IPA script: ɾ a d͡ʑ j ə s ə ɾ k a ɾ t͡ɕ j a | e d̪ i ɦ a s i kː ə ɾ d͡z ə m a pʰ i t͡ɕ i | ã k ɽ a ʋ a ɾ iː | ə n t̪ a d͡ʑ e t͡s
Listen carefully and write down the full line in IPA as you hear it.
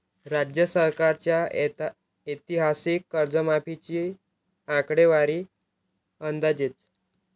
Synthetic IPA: ɾ a d͡ʑ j ə s ə ɾ k a ɾ t͡ɕ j a | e t̪ i ɦ a s i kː ə ɾ d͡z ə m a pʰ i t͡ɕ i | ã k ɽ e ʋ a ɾ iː | ə n d̪ a d͡ʑ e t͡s